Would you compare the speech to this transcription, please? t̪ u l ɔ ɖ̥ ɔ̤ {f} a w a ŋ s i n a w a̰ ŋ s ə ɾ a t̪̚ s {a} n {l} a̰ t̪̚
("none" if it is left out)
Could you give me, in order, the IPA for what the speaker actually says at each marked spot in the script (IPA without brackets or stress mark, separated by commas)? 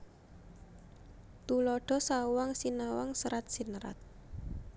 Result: s, i, ɾ